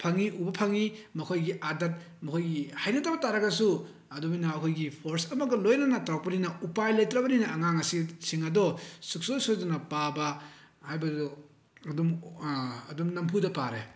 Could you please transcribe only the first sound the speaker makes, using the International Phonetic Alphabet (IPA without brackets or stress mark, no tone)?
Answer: pʰ